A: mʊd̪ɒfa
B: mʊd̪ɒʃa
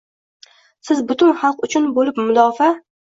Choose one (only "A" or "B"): A